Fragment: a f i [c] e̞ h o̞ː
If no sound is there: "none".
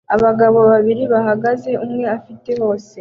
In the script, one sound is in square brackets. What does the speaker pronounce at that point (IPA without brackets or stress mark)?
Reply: t